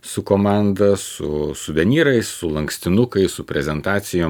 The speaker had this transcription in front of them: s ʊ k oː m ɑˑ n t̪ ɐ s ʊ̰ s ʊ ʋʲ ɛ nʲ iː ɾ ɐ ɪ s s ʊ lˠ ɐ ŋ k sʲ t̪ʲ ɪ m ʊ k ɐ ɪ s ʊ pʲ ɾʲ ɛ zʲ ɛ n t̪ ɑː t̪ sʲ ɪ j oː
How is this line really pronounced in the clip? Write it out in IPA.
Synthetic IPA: s ʊ k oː m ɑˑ n d̪ ɐ s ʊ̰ s ʊ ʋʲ ɛ nʲ iː ɾ ɐ ɪ s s ʊ lˠ ɐ ŋ k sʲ t̪ʲ ɪ n ʊ k ɐ ɪ s ʊ pʲ ɾʲ ɛ zʲ ɛ n t̪ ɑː t̪ sʲ ɪ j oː